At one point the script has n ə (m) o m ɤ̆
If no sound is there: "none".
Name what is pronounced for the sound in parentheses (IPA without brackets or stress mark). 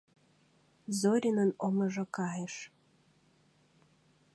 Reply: n